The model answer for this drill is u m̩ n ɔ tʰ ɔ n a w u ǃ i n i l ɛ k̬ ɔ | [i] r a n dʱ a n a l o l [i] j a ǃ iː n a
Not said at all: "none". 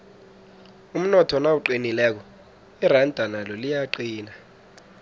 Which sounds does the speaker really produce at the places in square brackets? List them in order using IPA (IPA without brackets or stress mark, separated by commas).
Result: i, i